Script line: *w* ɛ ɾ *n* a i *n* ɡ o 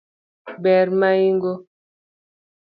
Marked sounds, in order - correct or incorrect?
incorrect: b, incorrect: m, incorrect: ŋ

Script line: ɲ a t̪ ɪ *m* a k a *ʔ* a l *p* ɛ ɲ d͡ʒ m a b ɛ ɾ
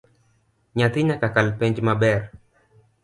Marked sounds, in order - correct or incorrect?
incorrect: ɲ, incorrect: k, correct

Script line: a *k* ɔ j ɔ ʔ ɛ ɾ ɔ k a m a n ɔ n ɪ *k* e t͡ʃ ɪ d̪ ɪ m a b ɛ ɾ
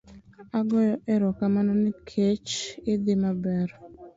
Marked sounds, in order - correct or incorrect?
incorrect: ɡ, incorrect: kʰ

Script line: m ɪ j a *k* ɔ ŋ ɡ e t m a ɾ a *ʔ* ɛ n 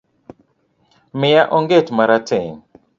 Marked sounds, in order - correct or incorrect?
incorrect: ʔ, incorrect: t

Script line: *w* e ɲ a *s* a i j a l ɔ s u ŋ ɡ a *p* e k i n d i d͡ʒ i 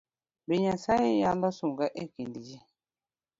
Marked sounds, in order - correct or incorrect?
incorrect: b, correct, incorrect: ʔ

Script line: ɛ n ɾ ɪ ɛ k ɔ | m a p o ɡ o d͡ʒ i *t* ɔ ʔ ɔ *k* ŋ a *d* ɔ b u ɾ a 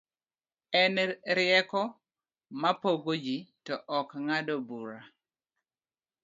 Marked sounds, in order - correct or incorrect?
correct, correct, correct

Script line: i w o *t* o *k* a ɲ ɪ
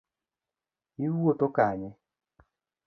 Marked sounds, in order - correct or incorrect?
correct, correct

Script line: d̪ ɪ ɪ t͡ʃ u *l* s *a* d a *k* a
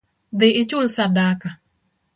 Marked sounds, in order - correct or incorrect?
correct, correct, correct

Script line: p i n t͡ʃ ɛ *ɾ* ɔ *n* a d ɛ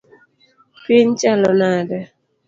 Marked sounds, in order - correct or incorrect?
incorrect: l, correct

